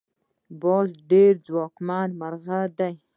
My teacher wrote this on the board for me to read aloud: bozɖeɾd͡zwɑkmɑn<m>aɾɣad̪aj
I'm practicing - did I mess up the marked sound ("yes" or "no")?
no